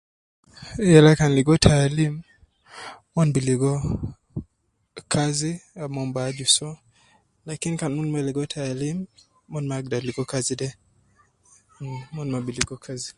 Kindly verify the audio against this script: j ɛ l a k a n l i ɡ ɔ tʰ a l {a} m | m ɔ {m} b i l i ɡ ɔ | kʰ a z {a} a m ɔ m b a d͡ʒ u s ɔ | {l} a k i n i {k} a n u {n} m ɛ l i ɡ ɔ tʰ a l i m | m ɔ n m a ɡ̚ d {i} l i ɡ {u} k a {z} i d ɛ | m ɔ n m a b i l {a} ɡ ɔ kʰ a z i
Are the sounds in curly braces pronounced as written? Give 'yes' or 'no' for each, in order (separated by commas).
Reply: no, no, no, yes, yes, yes, no, no, yes, no